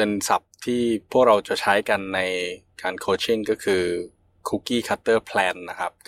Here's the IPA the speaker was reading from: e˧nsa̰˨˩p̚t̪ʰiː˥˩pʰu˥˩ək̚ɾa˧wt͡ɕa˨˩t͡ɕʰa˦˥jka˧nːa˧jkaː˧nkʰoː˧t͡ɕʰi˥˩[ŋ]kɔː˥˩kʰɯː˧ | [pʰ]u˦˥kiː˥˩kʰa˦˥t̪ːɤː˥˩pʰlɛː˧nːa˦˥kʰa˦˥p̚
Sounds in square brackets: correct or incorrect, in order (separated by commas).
correct, incorrect